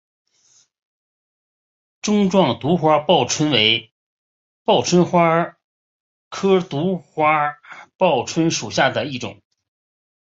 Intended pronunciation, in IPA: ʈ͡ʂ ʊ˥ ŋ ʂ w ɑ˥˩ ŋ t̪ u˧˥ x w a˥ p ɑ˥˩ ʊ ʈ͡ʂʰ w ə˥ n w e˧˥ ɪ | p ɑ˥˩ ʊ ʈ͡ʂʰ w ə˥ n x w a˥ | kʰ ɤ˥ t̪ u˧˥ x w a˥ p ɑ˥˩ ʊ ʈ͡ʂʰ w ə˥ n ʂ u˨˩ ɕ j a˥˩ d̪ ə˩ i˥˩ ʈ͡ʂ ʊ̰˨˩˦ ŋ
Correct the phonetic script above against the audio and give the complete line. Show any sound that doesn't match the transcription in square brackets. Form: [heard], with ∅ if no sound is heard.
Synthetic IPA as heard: ʈ͡ʂ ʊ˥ ŋ [ʈ͡ʂ] w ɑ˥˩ ŋ t̪ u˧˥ x w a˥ p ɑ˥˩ ʊ ʈ͡ʂʰ w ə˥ n w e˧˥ ɪ | p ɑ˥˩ ʊ ʈ͡ʂʰ w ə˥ n x w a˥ | kʰ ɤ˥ t̪ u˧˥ x w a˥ p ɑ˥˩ ʊ ʈ͡ʂʰ w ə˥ n ʂ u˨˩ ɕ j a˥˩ d̪ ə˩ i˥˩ ʈ͡ʂ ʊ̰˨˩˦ ŋ